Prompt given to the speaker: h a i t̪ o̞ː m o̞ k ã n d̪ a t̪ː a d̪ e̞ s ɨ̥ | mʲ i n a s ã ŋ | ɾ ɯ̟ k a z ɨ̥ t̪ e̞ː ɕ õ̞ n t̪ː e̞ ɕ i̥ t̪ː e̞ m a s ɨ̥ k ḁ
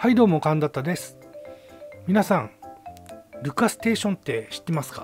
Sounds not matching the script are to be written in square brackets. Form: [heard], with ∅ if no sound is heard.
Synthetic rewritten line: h a i [d̪] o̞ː m o̞ k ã n d̪ a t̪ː a d̪ e̞ s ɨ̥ | mʲ i n a s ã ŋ | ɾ ɯ̟ k a [s] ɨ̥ t̪ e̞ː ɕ õ̞ n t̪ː e̞ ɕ i̥ t̪ː e̞ m a s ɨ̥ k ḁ